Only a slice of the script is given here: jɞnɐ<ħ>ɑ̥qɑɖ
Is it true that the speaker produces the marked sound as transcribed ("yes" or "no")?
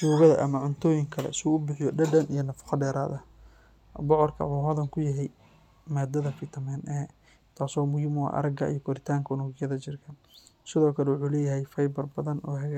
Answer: no